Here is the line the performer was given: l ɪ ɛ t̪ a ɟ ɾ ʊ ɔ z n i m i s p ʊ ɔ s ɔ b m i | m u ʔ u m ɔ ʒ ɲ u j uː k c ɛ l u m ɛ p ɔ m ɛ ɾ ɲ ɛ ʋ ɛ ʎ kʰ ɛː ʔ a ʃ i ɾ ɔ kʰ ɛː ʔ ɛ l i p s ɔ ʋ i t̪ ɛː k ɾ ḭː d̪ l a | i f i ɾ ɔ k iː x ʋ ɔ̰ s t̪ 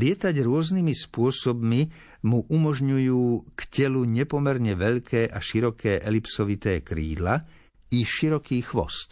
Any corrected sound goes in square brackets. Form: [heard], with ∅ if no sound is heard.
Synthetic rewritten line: l ɪ ɛ t̪ a ɟ ɾ ʊ ɔ z n i m i s p ʊ ɔ s ɔ b m i | m u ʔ u m ɔ ʒ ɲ u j uː k c ɛ l u [ɲ] ɛ p ɔ m ɛ ɾ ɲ ɛ ʋ ɛ ʎ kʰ ɛː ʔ a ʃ i ɾ ɔ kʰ ɛː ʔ ɛ l i p s ɔ ʋ i t̪ ɛː k ɾ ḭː d̪ l a | i [ʃ] i ɾ ɔ k iː x ʋ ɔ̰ s t̪